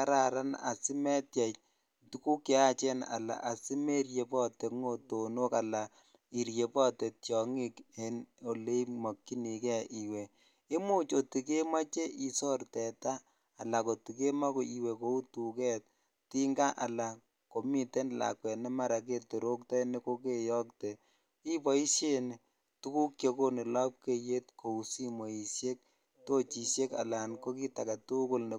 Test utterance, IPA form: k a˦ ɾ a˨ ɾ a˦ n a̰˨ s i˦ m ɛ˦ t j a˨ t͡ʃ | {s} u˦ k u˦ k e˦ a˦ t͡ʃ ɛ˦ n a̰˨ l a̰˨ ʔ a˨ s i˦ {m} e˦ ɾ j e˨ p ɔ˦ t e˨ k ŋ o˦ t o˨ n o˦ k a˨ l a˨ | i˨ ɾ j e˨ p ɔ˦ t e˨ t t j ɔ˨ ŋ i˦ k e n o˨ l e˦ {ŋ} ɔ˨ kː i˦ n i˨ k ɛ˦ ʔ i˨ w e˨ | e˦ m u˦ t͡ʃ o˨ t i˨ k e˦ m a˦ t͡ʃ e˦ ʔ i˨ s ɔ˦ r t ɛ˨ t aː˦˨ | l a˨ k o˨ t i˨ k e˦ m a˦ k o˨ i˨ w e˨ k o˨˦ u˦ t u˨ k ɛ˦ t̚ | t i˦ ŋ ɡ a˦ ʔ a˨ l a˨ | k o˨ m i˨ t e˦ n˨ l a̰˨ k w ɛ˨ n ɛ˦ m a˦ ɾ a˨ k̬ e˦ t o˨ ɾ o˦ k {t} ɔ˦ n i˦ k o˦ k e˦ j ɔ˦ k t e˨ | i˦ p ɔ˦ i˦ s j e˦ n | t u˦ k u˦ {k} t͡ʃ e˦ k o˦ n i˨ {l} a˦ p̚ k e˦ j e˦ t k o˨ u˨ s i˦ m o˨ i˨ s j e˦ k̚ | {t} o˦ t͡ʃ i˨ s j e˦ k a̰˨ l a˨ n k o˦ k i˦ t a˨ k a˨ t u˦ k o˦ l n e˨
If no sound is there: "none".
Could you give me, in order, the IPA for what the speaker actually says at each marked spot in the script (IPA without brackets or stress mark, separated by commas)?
t, m, m, t, k, l, t